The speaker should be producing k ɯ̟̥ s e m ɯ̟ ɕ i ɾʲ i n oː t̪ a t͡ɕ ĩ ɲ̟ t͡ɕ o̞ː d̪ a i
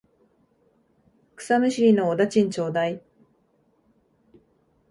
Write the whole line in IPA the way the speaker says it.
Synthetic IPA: k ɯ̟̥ s a m ɯ̟ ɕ i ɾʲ i n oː d̪ a t͡ɕ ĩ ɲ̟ t͡ɕ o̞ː d̪ a i